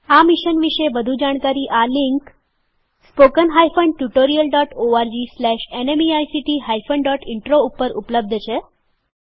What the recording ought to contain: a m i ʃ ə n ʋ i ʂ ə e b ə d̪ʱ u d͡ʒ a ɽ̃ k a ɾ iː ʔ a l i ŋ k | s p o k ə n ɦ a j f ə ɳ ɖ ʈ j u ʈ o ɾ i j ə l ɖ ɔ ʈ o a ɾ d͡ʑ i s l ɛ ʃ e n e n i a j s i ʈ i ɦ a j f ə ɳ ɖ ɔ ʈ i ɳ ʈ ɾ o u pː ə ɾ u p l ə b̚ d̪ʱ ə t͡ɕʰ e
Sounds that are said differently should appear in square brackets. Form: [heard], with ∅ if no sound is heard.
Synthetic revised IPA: a m i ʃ ə n ʋ i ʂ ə e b ə d̪ʱ u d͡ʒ a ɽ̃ k a ɾ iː ʔ a l i ŋ k | s p o k ə n ɦ a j f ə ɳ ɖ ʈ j u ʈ o ɾ i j ə l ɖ ɔ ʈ o a ɾ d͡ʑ i s l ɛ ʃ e n e [m] i a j s i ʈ i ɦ a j f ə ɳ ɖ ɔ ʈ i ɳ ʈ ɾ o u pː ə ɾ u p l ə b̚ d̪ʱ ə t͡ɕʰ e